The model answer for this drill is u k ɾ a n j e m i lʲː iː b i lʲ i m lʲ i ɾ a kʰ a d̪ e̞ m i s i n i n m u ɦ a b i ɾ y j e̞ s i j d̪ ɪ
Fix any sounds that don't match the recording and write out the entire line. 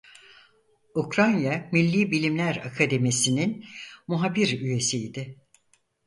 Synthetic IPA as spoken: u k ɾ a n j a m i lʲː iː b i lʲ i m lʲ æ ɾ a kʰ a d̪ e̞ m i s i n i n m u ɦ a b i ɾ y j e̞ s i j d̪ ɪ